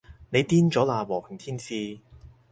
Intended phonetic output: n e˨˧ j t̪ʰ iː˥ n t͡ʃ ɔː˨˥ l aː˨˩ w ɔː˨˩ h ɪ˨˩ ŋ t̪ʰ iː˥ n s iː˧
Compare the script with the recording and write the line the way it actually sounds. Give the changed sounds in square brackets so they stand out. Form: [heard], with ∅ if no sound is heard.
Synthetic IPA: n e˨˧ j [t̪] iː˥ n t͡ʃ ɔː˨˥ l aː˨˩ w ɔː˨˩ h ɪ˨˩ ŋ t̪ʰ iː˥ n s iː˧